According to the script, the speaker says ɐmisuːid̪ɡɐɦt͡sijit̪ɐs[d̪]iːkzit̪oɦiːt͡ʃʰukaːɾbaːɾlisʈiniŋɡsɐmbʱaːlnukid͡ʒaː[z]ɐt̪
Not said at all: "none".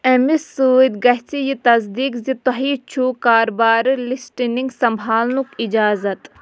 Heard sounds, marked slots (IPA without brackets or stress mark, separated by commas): d̪, z